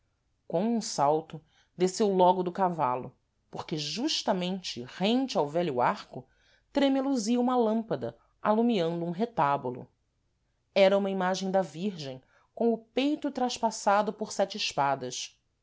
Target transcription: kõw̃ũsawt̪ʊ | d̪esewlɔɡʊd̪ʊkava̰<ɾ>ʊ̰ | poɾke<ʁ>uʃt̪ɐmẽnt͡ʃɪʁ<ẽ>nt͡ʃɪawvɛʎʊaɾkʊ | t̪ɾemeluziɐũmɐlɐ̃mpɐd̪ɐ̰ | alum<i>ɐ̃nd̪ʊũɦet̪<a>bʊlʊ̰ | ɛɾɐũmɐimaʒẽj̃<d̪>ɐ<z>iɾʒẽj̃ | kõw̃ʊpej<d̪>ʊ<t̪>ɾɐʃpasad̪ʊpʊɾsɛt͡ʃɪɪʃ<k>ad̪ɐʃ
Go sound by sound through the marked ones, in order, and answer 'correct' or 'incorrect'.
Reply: incorrect: l, incorrect: ʒ, correct, correct, correct, correct, incorrect: v, incorrect: t̪, correct, incorrect: p

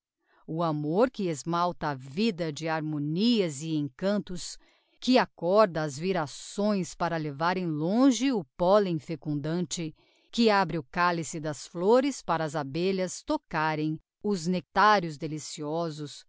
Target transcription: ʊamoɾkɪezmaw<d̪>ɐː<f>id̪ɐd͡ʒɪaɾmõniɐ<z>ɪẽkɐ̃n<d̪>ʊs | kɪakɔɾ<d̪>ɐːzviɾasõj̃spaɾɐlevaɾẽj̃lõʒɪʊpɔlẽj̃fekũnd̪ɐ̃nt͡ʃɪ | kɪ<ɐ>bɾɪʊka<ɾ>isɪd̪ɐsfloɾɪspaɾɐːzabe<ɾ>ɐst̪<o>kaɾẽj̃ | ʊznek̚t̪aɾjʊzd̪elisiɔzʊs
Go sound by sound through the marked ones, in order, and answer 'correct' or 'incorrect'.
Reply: incorrect: t̪, incorrect: v, correct, incorrect: t̪, correct, incorrect: a, incorrect: l, incorrect: ʎ, correct

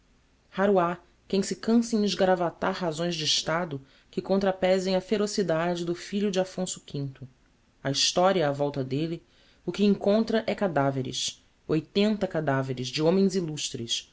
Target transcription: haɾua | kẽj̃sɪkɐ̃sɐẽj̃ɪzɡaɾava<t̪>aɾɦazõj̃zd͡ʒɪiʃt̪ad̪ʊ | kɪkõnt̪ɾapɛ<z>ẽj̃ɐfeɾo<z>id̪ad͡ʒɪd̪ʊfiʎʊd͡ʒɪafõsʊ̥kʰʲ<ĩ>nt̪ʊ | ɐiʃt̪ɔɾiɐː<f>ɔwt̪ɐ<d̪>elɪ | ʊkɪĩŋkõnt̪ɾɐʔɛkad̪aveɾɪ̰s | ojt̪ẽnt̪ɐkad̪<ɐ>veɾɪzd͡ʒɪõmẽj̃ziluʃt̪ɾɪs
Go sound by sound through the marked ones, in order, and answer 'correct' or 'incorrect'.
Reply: correct, correct, incorrect: s, correct, incorrect: v, correct, incorrect: a

